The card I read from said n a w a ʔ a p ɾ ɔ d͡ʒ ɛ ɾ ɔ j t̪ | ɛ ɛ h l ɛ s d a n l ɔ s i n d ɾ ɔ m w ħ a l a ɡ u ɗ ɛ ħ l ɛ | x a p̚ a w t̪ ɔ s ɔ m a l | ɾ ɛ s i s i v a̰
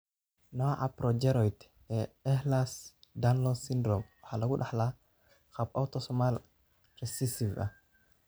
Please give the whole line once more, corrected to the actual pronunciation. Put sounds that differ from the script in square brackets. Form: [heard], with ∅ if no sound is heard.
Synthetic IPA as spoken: n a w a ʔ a p ɾ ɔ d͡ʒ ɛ ɾ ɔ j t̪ | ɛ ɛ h l [a] s d a n l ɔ s i n d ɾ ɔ m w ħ a l a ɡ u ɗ [a] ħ l [a] | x a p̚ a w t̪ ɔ s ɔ m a l | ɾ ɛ s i s i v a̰